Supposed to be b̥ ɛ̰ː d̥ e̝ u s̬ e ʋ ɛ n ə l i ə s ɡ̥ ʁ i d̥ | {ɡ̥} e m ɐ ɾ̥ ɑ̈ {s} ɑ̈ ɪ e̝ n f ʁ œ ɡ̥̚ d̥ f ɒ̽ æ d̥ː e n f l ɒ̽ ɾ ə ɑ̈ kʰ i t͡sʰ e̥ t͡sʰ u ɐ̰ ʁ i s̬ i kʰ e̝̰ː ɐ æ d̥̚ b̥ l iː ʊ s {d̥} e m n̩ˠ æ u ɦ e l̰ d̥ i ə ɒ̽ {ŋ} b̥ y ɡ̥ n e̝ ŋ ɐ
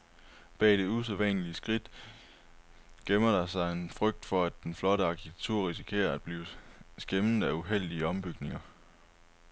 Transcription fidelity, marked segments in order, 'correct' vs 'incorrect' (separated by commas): correct, correct, incorrect, incorrect